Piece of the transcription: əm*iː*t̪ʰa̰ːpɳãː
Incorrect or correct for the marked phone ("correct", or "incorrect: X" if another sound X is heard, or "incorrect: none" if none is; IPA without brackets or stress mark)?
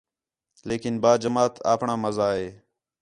incorrect: aː